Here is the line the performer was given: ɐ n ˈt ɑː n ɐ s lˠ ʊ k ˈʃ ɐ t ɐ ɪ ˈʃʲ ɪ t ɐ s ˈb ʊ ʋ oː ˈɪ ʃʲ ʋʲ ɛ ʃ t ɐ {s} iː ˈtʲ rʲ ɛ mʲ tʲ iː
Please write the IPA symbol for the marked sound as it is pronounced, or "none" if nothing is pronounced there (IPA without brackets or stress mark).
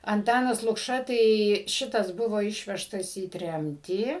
s